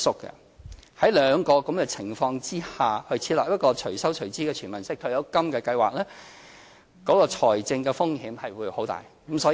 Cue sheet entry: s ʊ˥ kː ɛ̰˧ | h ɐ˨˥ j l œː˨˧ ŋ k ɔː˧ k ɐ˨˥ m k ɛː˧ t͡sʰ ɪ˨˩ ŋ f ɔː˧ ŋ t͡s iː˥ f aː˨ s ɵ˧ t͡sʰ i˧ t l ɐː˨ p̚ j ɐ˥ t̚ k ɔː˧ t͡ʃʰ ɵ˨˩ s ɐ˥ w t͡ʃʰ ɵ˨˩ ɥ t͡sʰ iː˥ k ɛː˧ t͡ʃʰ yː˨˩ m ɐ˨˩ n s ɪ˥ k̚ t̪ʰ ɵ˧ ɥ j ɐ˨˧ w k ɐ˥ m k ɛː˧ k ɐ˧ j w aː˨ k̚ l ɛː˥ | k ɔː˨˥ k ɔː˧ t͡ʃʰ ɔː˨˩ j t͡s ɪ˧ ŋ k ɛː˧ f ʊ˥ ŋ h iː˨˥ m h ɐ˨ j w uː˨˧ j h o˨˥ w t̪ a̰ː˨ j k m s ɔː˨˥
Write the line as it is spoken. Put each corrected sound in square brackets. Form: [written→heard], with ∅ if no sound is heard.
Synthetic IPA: s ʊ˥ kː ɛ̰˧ | h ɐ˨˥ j l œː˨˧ ŋ k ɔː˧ k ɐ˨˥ m k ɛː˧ t͡sʰ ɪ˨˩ ŋ f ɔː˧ ŋ t͡s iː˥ [f→h] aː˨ [s→h] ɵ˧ t͡sʰ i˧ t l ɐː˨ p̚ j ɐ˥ t̚ k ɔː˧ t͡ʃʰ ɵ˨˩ s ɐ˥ w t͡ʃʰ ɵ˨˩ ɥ [t͡sʰ→t͡s] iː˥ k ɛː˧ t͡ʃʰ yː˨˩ m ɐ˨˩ n s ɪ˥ k̚ t̪ʰ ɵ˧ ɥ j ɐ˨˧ w k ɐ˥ m k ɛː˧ k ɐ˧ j w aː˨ k̚ l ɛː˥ | k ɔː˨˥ k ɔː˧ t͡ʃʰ ɔː˨˩ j t͡s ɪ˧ ŋ k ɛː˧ f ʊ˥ ŋ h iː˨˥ m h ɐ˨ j w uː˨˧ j h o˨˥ w t̪ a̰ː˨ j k m s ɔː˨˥